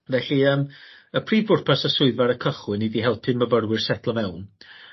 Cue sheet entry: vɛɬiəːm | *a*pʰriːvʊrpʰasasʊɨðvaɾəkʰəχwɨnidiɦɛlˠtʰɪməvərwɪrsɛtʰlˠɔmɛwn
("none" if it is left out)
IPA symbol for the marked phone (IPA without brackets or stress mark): ə